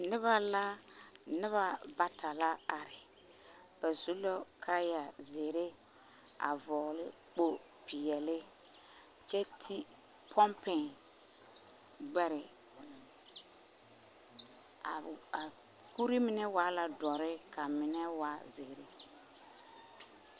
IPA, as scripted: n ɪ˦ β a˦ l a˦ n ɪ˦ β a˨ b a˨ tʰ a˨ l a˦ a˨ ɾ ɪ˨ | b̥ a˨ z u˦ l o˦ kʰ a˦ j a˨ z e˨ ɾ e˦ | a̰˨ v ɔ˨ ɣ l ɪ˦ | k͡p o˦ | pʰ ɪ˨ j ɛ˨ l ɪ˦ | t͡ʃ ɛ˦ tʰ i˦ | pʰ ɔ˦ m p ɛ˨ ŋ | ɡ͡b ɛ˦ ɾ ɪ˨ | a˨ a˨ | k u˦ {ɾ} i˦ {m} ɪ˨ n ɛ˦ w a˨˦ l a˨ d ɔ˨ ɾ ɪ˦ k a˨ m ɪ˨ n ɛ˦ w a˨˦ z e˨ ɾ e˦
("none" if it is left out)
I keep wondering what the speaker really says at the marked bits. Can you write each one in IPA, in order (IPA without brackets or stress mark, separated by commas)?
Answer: ɾ, m